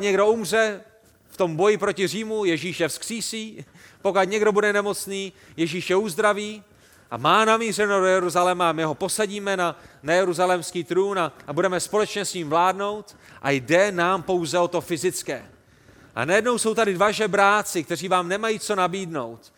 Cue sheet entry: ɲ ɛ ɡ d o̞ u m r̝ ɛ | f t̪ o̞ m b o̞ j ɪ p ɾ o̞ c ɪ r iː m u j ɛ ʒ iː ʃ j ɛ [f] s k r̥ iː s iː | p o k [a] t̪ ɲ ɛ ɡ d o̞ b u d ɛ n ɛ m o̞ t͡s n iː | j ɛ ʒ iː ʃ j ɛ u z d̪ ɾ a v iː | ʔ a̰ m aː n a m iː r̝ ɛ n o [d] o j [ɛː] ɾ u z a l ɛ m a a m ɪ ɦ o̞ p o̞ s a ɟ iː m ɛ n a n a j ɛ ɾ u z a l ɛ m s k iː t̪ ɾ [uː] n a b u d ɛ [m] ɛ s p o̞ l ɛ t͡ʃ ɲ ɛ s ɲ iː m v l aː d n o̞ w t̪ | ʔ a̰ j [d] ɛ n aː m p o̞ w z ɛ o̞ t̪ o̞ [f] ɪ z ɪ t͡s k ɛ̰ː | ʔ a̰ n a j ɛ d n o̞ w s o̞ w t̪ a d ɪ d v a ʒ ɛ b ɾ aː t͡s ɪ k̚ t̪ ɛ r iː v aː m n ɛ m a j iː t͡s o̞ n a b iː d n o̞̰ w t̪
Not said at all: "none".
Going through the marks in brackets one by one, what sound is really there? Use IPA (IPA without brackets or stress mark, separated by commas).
f, a, d, ɛ, uː, m, d, f